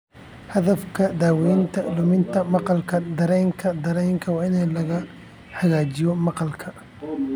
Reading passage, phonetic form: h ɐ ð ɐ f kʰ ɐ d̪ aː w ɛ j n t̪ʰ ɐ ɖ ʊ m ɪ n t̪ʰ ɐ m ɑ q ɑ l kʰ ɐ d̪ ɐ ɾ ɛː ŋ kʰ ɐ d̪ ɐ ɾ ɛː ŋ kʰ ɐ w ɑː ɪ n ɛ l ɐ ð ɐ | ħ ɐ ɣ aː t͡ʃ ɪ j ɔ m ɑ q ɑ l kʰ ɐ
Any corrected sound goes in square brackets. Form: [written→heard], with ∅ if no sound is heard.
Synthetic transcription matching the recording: h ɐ ð ɐ f kʰ ɐ d̪ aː w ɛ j n t̪ʰ ɐ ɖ ʊ m ɪ n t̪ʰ ɐ m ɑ q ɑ l kʰ ɐ d̪ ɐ ɾ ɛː ŋ kʰ ɐ d̪ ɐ ɾ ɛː ŋ kʰ ɐ w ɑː ɪ n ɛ l ɐ [ð→ɣ] ɐ | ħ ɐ ɣ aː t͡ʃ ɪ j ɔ m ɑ q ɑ l kʰ ɐ